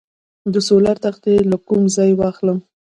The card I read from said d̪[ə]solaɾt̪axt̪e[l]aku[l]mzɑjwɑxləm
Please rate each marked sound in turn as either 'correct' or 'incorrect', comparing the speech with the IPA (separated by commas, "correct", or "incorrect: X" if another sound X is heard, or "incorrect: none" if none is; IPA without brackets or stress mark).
correct, correct, incorrect: none